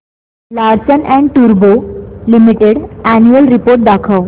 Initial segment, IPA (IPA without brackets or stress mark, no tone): l